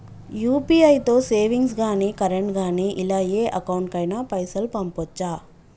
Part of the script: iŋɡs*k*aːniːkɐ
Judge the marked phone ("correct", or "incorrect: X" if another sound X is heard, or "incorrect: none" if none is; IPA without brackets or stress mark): incorrect: ɡ